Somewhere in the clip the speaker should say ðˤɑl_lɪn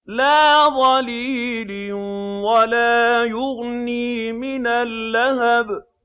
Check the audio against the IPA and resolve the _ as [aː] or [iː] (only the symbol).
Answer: iː